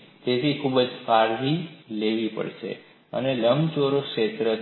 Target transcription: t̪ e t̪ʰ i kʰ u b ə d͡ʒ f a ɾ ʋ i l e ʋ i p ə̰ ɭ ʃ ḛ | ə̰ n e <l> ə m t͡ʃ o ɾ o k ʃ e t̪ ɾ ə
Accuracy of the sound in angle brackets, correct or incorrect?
correct